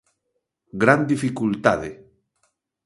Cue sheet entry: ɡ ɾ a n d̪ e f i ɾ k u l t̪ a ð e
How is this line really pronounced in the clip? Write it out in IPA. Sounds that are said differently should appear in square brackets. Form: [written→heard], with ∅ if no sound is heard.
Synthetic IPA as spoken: ɡ ɾ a n d̪ [e→i] f i [ɾ→∅] k u l t̪ a ð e